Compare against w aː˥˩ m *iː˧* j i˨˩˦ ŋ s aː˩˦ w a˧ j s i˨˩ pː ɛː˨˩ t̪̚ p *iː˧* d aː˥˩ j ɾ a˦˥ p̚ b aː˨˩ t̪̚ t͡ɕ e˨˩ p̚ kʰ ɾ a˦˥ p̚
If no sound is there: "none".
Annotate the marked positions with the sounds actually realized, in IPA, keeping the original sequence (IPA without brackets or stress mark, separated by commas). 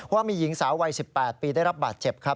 iː˧, iː˧